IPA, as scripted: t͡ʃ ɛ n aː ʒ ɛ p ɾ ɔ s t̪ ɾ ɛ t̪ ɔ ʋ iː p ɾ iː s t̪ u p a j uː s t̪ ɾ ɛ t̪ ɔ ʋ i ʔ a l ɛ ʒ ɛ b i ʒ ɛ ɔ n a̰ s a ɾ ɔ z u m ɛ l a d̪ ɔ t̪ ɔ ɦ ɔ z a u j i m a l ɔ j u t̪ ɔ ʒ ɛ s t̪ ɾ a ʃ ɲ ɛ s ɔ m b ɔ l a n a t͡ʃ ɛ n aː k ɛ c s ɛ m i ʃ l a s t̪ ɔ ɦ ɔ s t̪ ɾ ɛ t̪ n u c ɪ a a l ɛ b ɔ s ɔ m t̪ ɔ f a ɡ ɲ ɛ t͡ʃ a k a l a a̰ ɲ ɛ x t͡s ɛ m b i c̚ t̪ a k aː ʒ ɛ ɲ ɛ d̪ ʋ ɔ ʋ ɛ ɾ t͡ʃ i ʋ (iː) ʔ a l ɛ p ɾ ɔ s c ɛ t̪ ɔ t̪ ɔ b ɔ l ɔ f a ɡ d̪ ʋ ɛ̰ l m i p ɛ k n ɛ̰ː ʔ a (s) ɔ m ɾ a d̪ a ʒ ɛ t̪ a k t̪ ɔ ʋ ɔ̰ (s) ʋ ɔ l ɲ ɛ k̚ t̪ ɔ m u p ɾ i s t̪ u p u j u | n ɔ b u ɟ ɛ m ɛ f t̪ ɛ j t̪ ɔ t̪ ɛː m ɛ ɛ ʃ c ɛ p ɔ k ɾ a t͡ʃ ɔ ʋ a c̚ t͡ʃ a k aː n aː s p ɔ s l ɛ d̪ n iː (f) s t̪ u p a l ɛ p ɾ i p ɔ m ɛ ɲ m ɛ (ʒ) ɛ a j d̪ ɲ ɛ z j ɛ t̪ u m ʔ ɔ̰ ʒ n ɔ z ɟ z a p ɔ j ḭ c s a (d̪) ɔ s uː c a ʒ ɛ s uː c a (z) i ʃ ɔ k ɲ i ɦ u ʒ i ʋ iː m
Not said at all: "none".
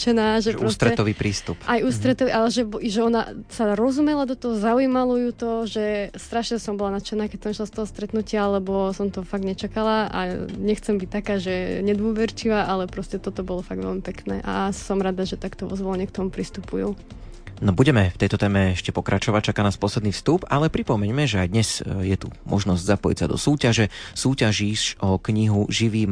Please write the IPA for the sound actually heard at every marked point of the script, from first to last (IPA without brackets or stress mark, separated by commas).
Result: aː, s, z, f, ʒ, d̪, ʒ